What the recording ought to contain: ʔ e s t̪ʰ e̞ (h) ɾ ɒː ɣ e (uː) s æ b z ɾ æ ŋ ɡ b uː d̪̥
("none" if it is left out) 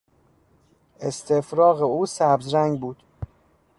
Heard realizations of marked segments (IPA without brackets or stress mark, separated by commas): f, uː